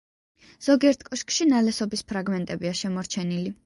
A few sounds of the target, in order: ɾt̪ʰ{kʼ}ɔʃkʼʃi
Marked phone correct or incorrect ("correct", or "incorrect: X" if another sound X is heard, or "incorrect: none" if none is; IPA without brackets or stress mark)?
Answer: correct